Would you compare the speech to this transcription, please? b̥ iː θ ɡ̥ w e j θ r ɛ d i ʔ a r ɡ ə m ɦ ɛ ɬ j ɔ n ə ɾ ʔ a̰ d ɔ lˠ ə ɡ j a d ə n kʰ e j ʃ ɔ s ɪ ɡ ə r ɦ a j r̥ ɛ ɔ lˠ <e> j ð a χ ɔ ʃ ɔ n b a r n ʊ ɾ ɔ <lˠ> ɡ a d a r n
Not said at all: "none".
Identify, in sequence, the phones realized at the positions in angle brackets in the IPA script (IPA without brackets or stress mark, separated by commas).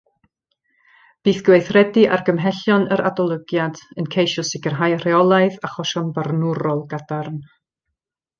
a, lˠ